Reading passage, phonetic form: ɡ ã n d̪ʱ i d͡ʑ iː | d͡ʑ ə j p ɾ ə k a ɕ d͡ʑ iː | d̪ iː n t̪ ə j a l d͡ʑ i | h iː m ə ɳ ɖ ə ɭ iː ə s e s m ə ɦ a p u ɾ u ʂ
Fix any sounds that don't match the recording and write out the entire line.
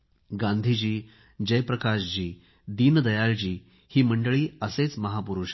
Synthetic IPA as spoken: ɡ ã n d̪ʱ i d͡ʑ iː | d͡ʑ ə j p ɾ ə k a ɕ d͡ʑ iː | d̪ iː n d̪ ə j a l d͡ʑ iː | h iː m ə ɳ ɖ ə ɭ iː ə s e t͡s m ə ɦ a p u ɾ u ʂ

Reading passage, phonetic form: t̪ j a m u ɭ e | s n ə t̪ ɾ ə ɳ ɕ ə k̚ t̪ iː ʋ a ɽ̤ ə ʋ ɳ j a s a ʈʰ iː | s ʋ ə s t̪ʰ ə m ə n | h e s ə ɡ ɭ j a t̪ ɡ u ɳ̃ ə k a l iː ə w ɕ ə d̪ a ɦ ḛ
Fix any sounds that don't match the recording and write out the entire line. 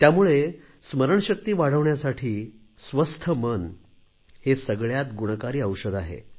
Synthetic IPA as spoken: t̪ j a m u ɭ e | s m ə ɾ ə ɳ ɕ ə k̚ t̪ iː ʋ a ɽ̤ ə ʋ ɳ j a s a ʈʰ iː | s ʋ ə s t̪ʰ ə m ə n | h e s ə ɡ ɭ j a t̪ ɡ u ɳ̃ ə k a ɾ iː ə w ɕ ə d̪ a ɦ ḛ

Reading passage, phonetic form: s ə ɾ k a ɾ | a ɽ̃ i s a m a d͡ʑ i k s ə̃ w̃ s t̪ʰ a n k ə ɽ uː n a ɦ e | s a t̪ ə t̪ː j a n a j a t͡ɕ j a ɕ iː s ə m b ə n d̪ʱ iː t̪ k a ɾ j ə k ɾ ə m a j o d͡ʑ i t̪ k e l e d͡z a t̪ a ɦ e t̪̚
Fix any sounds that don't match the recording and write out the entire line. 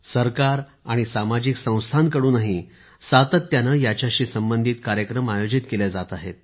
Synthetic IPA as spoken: s ə ɾ k a ɾ | a ɽ̃ i s a m a d͡ʑ i k s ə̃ w̃ s t̪ʰ a n k ə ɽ uː n a ɦ i | s a t̪ ə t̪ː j a n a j a t͡ɕ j a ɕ iː s ə m b ə n d̪ʱ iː t̪ k a ɾ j ə k ɾ ə m a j o d͡ʑ i t̪ k e l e d͡z a t̪ a ɦ e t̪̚

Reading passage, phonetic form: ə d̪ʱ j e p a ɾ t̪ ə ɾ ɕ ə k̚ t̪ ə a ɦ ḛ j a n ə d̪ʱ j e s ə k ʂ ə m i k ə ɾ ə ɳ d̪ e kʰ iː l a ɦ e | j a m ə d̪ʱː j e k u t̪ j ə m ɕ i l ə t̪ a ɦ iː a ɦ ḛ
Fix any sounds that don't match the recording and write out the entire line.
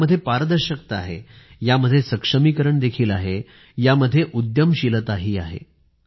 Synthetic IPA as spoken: ə d̪ʱ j e p a ɾ d̪ ə ɾ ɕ ə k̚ t̪ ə a ɦ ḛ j a m ə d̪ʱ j e s ə k ʂ ə m i k ə ɾ ə ɳ d̪ e kʰ iː l a ɦ e | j a m ə d̪ʱː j e ʔ u d̪ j ə m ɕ i l ə t̪ a ɦ iː a ɦ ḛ

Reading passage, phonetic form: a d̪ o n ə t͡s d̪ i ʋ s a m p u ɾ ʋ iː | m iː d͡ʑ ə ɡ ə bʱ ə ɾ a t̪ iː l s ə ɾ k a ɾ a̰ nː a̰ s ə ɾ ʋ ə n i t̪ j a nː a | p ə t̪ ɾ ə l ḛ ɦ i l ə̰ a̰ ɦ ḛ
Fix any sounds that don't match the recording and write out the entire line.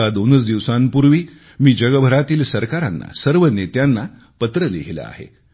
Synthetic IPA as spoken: a d̪ o n ə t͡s d̪ i ʋ s a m p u ɾ ʋ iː | m iː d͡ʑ ə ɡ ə bʱ ə ɾ a t̪ iː l s ə ɾ k a ɾ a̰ nː a̰ s ə ɾ ʋ ə n e t̪ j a nː a | p ə t̪ ɾ ə l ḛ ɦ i l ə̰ a̰ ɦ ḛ

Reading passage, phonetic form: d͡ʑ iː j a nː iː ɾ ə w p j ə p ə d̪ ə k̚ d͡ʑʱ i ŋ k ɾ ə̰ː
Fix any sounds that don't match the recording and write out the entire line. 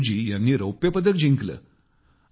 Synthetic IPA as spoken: d͡ʑ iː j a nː iː ɾ ə w p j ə p ə d̪ ə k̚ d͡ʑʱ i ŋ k l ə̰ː

